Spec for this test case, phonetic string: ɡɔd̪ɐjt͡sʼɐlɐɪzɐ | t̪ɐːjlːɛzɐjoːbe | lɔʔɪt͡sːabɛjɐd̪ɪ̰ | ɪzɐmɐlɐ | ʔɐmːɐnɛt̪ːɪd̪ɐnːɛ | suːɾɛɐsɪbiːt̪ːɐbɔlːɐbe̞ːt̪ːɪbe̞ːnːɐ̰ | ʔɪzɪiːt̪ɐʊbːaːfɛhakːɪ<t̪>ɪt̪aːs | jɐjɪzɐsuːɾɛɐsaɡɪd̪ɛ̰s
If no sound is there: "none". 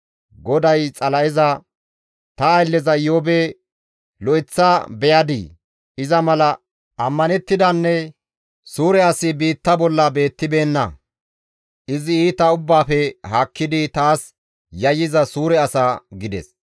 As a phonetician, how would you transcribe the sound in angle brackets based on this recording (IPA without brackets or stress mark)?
d̪